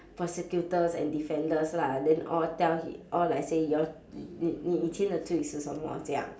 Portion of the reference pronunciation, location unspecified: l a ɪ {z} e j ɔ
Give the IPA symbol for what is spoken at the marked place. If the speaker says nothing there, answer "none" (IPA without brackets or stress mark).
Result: s